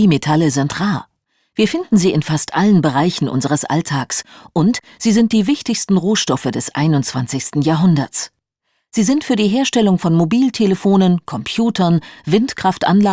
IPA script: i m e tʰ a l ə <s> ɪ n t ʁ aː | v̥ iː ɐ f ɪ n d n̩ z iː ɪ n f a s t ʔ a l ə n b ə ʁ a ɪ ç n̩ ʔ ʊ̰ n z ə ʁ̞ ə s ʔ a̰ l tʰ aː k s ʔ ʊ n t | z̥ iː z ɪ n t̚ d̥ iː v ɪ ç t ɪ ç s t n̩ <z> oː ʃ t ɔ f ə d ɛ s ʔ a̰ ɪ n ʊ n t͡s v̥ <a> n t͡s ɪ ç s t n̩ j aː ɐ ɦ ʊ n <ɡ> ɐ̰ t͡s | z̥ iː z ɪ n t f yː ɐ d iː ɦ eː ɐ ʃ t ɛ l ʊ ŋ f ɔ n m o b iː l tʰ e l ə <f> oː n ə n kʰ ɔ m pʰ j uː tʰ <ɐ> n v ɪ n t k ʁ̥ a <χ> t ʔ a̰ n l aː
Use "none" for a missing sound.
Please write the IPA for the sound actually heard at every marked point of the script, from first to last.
z, ʁ, a, d, f, ɐ, f

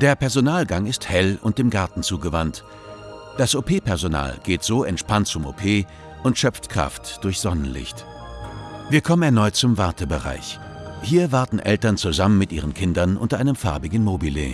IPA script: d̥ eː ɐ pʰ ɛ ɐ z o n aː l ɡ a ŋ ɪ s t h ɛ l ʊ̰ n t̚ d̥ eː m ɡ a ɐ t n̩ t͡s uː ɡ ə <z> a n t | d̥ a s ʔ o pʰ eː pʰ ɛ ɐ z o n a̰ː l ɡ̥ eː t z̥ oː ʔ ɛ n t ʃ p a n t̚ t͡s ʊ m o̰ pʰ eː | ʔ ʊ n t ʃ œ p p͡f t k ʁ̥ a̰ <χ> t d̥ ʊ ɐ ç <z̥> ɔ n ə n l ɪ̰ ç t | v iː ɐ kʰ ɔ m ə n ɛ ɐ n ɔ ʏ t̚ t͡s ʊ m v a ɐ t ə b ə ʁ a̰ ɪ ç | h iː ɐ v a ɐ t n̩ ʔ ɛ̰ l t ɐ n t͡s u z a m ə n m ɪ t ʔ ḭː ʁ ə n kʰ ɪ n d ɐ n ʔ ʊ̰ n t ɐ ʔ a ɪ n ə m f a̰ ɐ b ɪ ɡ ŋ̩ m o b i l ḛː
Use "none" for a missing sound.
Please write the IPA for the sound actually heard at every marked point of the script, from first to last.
v, f, z̥

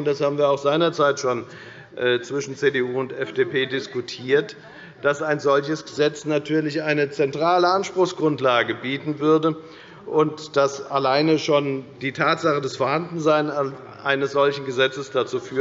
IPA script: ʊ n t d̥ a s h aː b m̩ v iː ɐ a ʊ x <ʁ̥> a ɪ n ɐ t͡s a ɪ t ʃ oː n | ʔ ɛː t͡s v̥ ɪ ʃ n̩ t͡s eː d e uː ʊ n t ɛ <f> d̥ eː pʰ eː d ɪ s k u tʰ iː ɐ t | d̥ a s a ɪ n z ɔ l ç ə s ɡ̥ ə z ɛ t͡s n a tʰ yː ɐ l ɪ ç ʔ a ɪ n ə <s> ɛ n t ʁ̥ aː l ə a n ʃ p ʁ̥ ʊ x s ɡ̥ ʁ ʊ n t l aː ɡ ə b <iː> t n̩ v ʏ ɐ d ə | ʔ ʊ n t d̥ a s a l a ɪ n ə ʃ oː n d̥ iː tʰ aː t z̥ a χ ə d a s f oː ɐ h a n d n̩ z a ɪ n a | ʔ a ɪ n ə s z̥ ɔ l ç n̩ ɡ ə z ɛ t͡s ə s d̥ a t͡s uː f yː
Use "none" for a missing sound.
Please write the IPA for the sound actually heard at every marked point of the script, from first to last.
z̥, f, t͡s, iː

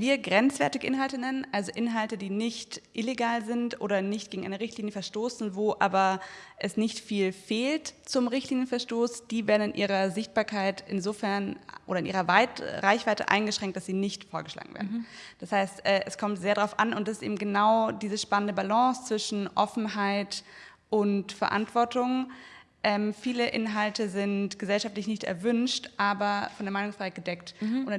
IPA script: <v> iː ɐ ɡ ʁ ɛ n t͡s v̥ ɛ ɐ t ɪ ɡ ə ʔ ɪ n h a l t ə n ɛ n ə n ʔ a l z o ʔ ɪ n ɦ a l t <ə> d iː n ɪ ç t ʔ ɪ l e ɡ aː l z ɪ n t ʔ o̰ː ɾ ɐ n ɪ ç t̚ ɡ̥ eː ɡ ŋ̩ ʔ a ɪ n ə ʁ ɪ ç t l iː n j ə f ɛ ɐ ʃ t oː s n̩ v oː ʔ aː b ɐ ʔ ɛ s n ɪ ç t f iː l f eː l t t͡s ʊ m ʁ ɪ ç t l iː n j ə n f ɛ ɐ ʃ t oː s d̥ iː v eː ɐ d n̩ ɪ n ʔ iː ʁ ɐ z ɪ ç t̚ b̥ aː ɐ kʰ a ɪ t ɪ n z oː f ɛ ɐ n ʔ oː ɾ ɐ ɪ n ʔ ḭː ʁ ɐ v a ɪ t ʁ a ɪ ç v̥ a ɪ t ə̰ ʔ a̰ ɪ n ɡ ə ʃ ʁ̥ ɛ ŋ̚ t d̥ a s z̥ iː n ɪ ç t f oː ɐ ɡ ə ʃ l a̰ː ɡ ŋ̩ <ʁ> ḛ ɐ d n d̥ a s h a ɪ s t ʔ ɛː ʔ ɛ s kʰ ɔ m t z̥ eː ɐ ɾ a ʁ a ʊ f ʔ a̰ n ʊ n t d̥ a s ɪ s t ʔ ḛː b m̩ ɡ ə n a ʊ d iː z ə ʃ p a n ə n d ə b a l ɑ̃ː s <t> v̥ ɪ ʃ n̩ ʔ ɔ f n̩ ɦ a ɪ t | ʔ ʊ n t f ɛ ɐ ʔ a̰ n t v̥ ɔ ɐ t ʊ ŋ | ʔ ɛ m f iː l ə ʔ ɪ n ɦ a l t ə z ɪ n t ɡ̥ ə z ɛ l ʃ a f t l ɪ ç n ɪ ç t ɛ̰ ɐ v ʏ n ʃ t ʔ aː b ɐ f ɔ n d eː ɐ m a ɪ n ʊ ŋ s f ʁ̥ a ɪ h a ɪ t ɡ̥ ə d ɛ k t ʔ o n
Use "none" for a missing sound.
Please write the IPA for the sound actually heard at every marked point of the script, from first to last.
v, ə, v, t͡s

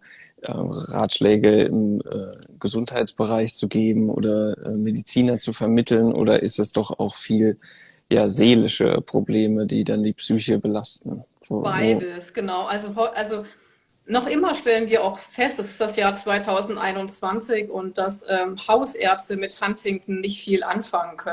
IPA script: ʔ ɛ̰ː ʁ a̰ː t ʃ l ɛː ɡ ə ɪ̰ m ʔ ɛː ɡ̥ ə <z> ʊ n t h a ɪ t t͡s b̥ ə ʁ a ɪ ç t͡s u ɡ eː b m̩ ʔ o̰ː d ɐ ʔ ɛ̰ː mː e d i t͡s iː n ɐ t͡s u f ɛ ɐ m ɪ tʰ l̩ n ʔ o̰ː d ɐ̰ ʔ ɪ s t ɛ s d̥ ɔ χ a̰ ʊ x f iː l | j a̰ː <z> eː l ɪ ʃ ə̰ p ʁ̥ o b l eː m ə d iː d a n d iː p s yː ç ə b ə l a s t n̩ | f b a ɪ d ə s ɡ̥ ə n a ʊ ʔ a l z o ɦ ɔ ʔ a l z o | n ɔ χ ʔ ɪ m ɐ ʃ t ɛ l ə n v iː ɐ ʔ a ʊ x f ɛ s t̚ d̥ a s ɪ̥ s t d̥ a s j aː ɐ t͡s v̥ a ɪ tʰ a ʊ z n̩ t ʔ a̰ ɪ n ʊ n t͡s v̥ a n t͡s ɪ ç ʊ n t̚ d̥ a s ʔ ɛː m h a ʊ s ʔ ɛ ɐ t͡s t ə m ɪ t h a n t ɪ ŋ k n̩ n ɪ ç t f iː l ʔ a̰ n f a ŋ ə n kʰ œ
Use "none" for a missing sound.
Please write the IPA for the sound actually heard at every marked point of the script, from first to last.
z, z

